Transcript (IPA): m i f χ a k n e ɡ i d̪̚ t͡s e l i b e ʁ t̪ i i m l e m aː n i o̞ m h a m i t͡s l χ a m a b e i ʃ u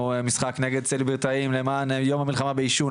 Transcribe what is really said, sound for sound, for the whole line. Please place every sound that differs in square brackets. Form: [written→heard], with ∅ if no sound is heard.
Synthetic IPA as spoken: m i [f→s] χ a k n e ɡ [i→e] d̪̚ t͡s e l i b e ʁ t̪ [i→a] i m l e m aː n [i→j] o̞ m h a m i [t͡s→∅] l χ a m a b e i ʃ u